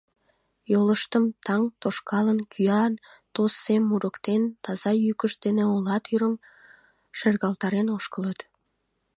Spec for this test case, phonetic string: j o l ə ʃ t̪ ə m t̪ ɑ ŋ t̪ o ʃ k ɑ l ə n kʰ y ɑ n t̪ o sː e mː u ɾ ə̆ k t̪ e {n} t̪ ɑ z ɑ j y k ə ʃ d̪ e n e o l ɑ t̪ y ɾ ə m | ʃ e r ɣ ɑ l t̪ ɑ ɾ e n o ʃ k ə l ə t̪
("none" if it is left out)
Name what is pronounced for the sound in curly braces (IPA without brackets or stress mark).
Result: n